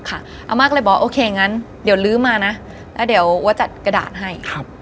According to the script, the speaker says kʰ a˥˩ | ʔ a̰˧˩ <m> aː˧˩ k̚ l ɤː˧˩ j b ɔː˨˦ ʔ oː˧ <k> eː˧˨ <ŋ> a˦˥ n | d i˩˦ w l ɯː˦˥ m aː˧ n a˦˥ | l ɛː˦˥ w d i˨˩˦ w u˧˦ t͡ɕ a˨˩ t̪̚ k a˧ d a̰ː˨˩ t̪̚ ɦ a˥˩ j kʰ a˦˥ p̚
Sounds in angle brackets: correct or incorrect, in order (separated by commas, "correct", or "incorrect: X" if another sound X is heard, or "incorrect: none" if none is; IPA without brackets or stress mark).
correct, incorrect: kʰ, correct